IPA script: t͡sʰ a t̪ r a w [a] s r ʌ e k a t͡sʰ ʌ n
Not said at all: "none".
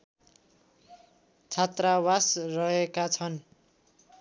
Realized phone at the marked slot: a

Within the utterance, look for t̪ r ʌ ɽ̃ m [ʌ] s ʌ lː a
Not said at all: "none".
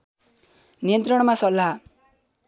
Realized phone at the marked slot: a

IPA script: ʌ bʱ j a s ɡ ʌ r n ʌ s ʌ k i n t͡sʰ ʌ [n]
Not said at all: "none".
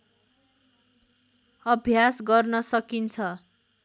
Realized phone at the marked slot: none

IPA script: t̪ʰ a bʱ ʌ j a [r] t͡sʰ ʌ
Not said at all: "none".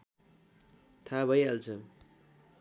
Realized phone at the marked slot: l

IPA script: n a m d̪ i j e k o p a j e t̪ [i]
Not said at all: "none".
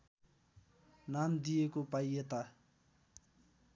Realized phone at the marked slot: a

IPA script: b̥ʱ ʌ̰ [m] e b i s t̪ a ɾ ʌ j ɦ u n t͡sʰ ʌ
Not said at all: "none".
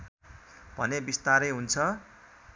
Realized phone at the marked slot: n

